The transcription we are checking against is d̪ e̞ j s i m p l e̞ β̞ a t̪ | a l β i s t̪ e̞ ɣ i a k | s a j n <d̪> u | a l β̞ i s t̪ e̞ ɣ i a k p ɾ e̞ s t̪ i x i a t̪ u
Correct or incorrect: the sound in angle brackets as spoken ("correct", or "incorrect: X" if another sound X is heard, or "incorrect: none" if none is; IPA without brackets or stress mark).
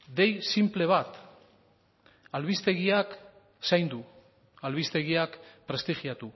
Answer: correct